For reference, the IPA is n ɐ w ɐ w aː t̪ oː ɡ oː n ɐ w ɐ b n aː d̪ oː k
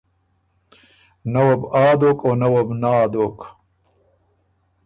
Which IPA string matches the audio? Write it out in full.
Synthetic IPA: n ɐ w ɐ b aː d̪ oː k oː n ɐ w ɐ b n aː d̪ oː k